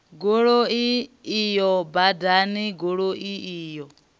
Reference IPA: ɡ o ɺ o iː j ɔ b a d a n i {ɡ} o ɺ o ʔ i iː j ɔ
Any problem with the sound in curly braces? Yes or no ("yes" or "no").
no